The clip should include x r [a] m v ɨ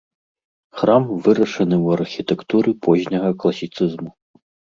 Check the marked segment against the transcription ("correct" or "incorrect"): correct